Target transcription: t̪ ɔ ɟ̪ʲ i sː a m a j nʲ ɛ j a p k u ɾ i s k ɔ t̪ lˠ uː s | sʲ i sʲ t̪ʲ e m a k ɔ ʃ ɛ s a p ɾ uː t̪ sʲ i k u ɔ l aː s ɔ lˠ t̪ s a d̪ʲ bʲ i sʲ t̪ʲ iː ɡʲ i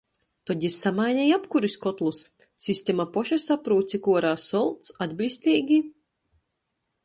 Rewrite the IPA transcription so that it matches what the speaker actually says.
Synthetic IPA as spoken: t̪ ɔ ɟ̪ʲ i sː a m a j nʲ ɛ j a p k u ɾ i s k ɔ t̪ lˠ u s | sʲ i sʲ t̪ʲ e m a p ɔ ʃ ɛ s a p ɾ uː t̪ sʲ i k u ɔ ɾ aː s ɔ lˠ t̪ s a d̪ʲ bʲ i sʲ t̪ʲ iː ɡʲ i